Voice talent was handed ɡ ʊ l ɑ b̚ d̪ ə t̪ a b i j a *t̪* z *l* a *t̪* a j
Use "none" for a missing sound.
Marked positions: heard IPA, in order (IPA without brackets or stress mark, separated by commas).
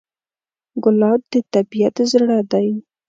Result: t̪, ɽ, d̪